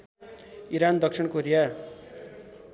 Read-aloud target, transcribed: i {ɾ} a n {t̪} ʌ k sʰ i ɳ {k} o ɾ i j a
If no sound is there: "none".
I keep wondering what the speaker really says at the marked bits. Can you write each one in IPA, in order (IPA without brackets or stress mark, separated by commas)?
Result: ɾ, d̪, k